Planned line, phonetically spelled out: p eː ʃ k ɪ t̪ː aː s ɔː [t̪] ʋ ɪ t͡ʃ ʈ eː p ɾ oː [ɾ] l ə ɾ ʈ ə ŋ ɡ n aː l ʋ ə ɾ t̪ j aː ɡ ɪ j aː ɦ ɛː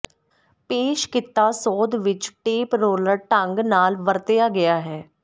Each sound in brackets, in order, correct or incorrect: incorrect: d̪, incorrect: none

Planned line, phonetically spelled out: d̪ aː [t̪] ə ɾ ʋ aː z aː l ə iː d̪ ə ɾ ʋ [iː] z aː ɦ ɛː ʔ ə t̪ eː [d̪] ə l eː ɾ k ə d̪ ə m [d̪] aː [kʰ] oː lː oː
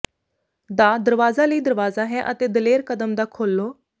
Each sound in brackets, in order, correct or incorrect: incorrect: d̪, incorrect: aː, correct, correct, correct

